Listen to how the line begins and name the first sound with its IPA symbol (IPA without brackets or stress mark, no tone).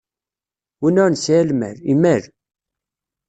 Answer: w